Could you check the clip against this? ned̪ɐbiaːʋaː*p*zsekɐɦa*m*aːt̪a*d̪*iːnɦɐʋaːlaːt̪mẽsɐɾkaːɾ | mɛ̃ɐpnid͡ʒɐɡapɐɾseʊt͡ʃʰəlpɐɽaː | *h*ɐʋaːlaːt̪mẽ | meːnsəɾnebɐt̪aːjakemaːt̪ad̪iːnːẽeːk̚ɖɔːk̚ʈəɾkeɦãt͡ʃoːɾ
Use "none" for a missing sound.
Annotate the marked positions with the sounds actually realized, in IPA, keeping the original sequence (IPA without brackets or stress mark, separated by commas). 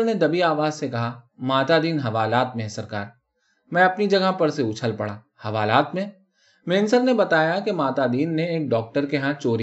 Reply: none, m, d̪, h